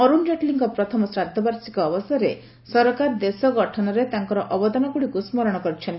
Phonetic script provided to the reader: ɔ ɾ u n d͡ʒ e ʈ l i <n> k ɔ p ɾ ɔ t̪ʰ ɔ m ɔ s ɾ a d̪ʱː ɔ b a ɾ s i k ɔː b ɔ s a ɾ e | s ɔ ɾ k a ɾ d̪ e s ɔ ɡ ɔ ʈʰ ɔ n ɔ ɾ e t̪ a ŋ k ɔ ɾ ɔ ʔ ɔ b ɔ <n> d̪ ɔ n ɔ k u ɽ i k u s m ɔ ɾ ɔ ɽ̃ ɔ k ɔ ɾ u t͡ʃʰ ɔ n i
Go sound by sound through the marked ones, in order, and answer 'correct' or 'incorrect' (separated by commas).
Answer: incorrect, incorrect